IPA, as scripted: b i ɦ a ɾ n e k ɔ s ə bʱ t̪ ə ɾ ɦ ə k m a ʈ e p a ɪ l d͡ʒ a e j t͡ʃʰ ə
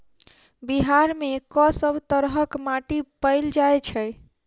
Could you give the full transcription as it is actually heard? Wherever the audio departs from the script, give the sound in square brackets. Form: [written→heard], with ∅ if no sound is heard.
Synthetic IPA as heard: b i ɦ a ɾ [n→m] e k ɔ s ə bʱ t̪ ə ɾ ɦ ə k m a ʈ [e→i] p [a→ə] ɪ l d͡ʒ a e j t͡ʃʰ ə